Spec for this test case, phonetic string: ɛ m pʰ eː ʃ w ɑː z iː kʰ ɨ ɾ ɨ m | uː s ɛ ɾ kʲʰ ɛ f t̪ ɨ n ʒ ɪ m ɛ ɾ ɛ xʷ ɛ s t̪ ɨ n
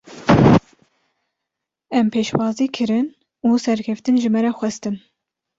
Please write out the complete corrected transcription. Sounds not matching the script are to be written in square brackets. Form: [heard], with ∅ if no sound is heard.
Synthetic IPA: ɛ m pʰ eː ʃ w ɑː z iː kʰ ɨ ɾ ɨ [n] | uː s ɛ ɾ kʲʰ ɛ f t̪ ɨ n ʒ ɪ m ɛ ɾ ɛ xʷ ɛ s t̪ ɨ n